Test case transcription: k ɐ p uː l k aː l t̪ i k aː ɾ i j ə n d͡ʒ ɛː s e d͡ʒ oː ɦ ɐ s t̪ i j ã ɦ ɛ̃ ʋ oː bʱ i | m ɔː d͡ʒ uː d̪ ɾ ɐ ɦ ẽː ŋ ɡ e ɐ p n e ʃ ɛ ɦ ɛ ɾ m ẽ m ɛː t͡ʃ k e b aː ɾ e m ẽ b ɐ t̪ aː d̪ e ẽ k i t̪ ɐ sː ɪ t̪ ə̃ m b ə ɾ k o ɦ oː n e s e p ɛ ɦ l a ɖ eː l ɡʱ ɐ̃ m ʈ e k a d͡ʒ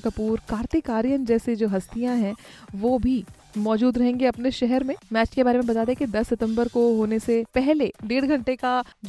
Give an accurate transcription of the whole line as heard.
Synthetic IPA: k ɐ p uː ɾ k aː ɾ t̪ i k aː ɾ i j ə n d͡ʒ ɛː s e d͡ʒ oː ɦ ɐ s t̪ i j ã ɦ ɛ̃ ʋ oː bʱ i | m ɔː d͡ʒ uː d̪ ɾ ɐ ɦ ẽː ŋ ɡ e ɐ p n e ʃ ɛ ɦ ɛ ɾ m ẽ m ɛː t͡ʃ k e b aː ɾ e m ẽ b ɐ t̪ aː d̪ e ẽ k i d̪ ɐ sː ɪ t̪ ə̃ m b ə ɾ k o ɦ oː n e s e p ɛ ɦ l e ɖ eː ɽ ɡʱ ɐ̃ ɳ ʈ e k a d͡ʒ